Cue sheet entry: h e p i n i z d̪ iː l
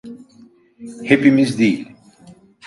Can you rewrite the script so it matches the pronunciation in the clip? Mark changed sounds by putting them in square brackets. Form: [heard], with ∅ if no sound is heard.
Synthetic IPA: h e p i [m] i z d̪ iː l